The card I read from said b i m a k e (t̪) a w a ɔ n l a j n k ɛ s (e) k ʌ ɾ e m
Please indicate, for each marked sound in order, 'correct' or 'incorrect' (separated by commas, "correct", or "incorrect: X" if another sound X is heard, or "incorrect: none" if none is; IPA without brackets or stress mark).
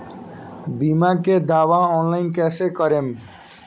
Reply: incorrect: d̪, correct